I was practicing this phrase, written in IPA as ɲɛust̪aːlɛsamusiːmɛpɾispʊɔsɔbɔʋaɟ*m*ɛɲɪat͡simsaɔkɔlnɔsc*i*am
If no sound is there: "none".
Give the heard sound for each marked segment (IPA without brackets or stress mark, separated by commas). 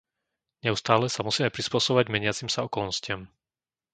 m, ɪ